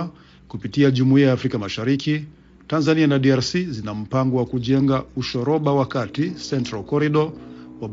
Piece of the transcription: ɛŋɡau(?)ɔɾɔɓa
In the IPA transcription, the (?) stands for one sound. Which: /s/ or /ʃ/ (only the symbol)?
ʃ